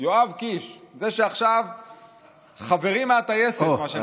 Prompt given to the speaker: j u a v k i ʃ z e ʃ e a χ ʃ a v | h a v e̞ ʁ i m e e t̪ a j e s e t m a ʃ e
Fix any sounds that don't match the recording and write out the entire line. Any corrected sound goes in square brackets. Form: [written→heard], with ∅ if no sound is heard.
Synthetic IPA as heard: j [u→o] a v k i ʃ z e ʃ e a χ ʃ a v | [h→χ] a v e̞ ʁ i m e [e→a] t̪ a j e s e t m a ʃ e